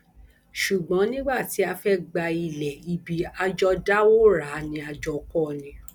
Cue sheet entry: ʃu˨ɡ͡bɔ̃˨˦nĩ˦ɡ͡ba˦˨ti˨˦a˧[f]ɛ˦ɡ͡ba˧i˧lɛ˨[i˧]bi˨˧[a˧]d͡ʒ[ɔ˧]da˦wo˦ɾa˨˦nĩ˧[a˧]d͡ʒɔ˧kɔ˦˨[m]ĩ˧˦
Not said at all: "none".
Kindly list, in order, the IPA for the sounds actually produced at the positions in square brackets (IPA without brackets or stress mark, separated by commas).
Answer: f, i˧, a˧, ɔ˧, a˧, n